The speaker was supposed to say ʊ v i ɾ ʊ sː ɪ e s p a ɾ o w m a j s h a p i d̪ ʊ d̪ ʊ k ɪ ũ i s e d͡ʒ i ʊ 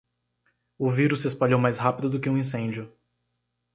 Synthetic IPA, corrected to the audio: ʊ v i ɾ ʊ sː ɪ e s p a ʎ o w m a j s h a p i d̪ ʊ d̪ ʊ k ɪ ũ ĩ s ẽ d͡ʒ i ʊ